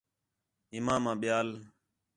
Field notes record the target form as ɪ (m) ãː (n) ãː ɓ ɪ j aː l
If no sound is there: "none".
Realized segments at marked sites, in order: m, m

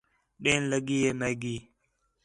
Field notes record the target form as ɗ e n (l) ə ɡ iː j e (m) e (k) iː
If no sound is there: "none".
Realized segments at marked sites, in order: l, m, ɡ

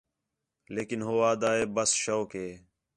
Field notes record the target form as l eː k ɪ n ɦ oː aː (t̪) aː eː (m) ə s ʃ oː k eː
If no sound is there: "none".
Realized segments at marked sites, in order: d̪, b

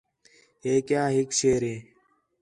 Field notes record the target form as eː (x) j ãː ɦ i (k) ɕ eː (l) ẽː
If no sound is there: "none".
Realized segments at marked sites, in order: k, k, ɾ

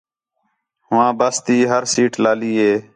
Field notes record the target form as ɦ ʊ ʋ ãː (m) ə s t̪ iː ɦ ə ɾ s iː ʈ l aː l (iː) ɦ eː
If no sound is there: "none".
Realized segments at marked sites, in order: b, iː

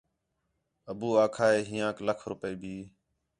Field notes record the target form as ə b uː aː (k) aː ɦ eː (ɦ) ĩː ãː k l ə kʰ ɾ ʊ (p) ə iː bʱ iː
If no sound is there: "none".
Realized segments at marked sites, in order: kʰ, ɦ, p

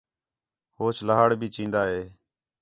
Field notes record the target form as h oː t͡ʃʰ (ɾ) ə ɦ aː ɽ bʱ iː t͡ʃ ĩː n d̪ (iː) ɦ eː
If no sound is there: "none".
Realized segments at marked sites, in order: l, aː

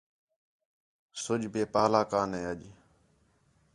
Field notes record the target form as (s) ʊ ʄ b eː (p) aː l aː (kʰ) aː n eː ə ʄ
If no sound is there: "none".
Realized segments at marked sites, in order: s, p, k

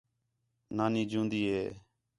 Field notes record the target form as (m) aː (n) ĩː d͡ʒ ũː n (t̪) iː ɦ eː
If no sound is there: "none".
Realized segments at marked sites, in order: n, n, d̪

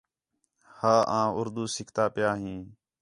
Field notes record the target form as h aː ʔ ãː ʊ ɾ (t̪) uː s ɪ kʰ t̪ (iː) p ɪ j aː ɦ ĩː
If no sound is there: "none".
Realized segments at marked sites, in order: d̪, aː

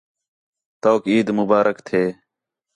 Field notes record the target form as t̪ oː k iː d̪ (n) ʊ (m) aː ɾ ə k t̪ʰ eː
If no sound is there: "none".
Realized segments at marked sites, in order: m, b

